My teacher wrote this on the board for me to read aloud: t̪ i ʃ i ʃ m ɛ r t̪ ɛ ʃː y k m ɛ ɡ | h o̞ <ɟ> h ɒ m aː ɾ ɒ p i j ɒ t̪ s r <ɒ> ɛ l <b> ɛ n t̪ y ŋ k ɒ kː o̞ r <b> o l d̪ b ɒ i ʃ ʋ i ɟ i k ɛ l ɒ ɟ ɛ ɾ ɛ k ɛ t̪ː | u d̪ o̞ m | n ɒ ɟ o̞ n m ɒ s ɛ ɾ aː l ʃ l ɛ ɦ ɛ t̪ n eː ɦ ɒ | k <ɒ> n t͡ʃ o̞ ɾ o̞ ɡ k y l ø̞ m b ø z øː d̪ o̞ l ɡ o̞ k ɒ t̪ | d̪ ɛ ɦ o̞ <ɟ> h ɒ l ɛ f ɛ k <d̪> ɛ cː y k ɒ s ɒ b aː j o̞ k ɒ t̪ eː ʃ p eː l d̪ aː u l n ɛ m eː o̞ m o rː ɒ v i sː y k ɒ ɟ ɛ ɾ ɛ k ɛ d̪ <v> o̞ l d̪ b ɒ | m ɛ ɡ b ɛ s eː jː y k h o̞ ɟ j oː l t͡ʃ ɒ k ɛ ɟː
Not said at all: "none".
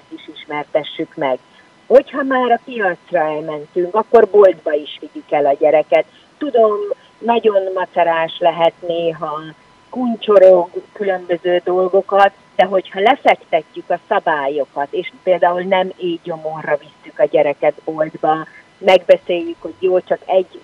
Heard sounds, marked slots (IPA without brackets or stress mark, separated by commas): c, ɒ, m, b, u, c, t̪, b